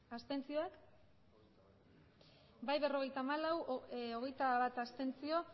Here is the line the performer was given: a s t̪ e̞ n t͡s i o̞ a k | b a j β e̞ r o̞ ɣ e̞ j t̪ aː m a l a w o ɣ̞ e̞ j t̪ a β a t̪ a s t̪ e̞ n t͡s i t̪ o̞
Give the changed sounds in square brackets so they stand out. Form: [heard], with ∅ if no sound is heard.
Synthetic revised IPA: a s t̪ e̞ n t͡s i o̞ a k | b a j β e̞ r o̞ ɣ e̞ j t̪ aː m a l a w o ɣ̞ e̞ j t̪ a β a t̪ a s t̪ e̞ n t͡s i [∅] o̞